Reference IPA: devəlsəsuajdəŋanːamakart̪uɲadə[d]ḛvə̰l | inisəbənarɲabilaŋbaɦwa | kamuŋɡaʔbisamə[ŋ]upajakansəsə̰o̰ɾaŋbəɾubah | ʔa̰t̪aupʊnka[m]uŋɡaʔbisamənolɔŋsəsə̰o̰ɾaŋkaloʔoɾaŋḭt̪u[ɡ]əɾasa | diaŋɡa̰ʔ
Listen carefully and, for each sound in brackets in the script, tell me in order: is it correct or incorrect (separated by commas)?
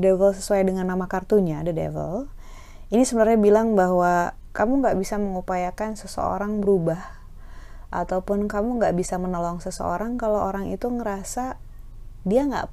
correct, correct, correct, incorrect